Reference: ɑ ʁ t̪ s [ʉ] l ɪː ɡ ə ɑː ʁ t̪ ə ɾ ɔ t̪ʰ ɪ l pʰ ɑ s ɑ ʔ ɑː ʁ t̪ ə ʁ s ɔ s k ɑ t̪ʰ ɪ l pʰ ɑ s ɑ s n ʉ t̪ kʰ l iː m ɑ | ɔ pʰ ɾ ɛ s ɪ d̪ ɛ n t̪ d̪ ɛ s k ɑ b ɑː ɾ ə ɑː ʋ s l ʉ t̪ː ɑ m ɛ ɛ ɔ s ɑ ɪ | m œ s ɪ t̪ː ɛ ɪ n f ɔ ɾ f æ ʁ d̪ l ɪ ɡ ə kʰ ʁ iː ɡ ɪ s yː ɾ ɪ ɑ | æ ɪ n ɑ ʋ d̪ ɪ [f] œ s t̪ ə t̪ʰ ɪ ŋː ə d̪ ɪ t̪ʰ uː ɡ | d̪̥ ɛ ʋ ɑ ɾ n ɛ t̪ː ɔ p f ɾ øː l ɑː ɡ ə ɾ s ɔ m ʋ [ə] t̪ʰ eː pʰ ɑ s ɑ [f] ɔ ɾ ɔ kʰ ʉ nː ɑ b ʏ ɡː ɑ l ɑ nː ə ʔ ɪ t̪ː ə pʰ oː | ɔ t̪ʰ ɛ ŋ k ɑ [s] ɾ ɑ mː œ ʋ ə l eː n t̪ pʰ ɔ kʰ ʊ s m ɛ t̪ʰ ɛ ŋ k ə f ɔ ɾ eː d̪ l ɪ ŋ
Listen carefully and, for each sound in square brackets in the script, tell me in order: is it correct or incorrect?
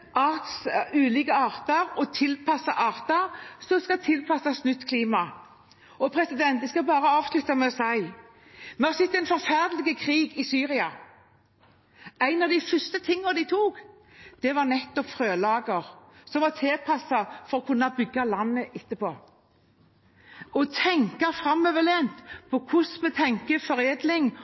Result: incorrect, correct, incorrect, correct, incorrect

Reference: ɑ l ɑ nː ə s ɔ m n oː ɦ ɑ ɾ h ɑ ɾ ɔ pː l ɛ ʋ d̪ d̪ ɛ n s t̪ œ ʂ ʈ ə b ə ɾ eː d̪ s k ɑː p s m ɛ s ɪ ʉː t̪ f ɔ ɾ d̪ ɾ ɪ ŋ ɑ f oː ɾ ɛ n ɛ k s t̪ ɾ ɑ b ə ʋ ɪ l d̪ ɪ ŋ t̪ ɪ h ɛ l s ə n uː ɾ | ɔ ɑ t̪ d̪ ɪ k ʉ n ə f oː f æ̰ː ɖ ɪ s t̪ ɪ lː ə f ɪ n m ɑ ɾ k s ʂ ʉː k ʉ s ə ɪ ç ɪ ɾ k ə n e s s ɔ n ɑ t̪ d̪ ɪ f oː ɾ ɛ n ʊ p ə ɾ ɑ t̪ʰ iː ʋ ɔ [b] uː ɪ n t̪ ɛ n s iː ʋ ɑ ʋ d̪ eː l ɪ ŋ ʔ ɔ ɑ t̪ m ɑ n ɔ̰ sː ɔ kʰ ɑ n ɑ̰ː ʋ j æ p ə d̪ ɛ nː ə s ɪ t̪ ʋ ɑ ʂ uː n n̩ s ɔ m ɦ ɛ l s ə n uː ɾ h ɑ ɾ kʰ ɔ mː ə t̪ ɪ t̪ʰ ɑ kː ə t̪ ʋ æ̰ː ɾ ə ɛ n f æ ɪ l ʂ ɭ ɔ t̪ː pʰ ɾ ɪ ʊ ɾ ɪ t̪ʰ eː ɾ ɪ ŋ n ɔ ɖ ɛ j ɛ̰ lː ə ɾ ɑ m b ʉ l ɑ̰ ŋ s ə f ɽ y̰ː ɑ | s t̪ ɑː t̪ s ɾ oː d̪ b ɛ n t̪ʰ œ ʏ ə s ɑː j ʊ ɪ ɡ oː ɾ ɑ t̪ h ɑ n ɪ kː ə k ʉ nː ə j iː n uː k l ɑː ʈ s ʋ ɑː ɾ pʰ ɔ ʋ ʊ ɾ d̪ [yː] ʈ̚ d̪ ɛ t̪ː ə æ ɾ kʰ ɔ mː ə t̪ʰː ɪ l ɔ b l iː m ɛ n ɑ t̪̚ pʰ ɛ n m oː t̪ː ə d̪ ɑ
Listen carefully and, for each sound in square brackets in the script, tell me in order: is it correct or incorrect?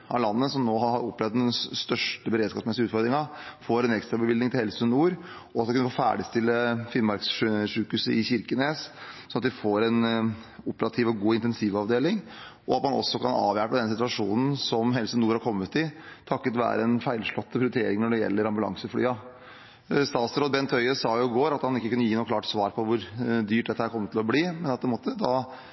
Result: incorrect, correct

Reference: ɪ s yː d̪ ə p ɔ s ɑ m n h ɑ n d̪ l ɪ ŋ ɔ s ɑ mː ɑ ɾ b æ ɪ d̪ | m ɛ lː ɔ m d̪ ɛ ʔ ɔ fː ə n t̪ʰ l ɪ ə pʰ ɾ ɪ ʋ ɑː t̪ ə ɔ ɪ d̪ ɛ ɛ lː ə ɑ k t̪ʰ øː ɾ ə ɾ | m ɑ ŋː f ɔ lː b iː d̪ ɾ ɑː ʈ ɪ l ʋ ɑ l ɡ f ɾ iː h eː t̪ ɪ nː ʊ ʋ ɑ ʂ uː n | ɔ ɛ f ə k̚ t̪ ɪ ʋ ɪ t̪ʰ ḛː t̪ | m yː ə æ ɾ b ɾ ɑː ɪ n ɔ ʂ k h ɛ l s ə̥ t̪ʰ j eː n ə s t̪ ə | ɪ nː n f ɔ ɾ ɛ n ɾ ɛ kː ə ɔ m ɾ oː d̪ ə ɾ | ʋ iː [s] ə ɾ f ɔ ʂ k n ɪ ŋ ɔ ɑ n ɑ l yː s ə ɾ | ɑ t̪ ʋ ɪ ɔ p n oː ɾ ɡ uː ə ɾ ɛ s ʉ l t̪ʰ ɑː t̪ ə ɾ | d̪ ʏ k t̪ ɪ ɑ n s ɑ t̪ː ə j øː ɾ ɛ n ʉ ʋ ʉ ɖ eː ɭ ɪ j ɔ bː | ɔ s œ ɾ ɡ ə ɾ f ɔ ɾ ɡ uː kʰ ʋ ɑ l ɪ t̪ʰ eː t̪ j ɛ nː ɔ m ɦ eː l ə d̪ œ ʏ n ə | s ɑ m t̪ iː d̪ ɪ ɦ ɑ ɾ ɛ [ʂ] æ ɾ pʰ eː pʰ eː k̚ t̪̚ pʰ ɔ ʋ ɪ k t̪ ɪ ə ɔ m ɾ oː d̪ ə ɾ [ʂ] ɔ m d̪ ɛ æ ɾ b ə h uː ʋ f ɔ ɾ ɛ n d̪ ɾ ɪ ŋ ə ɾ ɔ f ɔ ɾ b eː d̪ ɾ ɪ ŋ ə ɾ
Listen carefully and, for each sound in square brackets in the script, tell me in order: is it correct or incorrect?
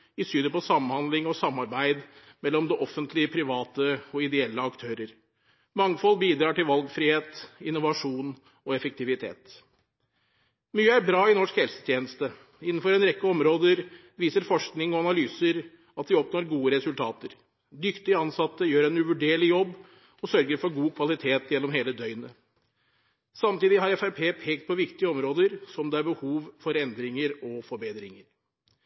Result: correct, incorrect, incorrect

